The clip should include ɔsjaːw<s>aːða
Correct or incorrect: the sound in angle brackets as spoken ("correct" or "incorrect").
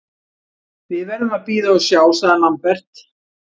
correct